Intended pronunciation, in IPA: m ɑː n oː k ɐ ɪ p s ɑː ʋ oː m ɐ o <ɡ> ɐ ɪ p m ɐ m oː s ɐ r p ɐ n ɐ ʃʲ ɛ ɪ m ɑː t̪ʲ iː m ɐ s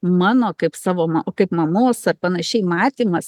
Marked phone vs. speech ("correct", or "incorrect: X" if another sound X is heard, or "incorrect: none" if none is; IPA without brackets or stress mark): incorrect: k